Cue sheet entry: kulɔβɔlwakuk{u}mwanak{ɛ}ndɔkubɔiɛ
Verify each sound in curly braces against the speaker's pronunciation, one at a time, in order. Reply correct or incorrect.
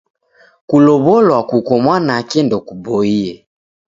incorrect, correct

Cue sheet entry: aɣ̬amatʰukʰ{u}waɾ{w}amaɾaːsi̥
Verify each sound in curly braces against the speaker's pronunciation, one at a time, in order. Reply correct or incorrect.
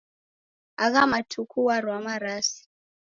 correct, correct

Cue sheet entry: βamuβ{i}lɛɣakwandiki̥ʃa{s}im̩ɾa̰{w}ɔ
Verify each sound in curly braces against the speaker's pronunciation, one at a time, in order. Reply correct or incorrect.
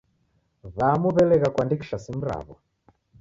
incorrect, correct, incorrect

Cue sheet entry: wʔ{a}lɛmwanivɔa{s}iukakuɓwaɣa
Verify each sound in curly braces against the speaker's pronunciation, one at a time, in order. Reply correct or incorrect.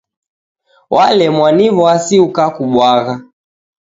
correct, correct

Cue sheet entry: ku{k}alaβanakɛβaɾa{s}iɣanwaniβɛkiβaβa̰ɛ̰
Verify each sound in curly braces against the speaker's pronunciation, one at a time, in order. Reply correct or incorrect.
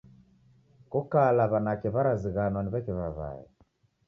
correct, incorrect

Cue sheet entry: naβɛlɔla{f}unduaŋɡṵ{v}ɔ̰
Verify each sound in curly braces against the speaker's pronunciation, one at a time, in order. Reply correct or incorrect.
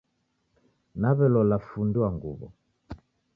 correct, incorrect

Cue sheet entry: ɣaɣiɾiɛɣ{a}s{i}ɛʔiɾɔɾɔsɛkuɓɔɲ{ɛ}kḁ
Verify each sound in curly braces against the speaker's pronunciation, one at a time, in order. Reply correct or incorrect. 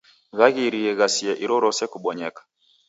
correct, correct, correct

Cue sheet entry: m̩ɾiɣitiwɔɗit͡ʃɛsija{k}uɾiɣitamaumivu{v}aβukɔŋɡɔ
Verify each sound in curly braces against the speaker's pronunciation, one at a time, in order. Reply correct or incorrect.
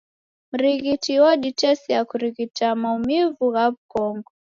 correct, incorrect

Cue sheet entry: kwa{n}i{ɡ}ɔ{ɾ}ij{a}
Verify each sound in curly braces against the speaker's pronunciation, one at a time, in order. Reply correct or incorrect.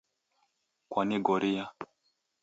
correct, correct, correct, correct

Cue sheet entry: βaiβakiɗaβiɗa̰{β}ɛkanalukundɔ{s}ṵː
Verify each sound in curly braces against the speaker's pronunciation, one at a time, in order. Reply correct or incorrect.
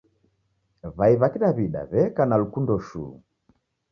correct, incorrect

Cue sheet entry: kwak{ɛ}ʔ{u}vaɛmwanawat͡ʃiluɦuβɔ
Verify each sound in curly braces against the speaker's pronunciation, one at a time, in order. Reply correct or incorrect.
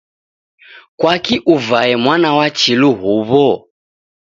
incorrect, correct

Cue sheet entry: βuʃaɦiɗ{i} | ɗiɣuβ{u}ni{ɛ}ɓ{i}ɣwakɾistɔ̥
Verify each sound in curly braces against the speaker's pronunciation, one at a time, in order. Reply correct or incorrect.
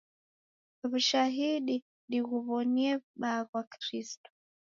correct, incorrect, correct, incorrect

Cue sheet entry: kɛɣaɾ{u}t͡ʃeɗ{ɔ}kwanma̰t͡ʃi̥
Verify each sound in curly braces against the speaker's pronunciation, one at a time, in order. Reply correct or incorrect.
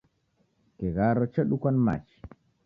incorrect, incorrect

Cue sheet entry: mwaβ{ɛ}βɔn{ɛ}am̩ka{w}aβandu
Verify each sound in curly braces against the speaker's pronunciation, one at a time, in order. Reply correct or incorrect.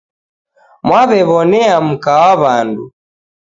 correct, correct, correct

